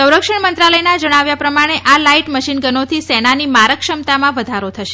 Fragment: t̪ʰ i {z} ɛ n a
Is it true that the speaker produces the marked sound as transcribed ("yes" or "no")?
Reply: no